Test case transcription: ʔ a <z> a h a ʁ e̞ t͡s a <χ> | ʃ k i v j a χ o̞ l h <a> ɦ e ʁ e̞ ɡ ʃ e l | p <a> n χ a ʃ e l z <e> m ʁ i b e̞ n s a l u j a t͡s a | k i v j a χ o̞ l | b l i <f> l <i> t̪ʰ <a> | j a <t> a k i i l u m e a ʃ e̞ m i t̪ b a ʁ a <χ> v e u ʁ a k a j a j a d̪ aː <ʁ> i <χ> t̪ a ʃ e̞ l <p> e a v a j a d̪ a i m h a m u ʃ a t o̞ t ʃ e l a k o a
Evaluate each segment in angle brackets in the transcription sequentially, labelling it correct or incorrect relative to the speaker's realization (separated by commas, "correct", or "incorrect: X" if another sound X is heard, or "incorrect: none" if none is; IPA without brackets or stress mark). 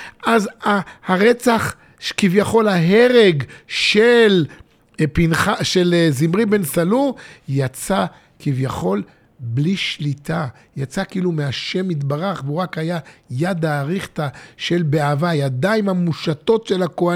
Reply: correct, correct, correct, incorrect: i, incorrect: i, incorrect: ʃ, correct, correct, incorrect: t͡s, correct, correct, correct, incorrect: b